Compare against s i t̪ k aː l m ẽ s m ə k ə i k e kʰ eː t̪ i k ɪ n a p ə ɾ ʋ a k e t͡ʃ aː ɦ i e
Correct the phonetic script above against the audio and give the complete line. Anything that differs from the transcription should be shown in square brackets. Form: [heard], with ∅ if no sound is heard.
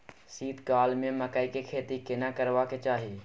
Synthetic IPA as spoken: s [iː] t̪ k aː l m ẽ [∅] m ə k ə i k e kʰ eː t̪ i k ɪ n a [k] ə ɾ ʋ a k e t͡ʃ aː ɦ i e